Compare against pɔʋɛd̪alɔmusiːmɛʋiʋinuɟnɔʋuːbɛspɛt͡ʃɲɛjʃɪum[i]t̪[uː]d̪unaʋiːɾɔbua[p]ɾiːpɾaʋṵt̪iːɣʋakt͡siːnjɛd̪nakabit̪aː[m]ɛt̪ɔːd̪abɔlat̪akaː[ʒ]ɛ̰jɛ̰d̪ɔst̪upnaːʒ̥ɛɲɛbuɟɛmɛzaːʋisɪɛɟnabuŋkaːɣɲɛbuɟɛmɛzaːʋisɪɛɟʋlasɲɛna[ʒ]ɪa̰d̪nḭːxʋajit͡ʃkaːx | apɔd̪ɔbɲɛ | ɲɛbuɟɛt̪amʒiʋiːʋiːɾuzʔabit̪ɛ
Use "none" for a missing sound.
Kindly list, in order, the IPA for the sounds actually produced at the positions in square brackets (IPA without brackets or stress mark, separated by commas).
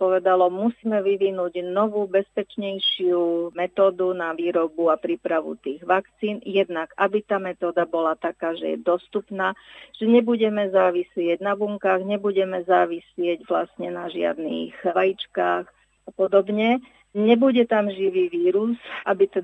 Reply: ɛ, ɔː, p, m, ʒ, ʒ